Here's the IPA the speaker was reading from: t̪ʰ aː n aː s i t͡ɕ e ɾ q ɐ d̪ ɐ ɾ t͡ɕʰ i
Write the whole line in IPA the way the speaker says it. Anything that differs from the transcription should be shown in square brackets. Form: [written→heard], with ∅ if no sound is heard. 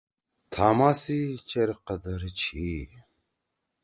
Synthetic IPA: t̪ʰ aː [n→m] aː s i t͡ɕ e ɾ q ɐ d̪ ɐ ɾ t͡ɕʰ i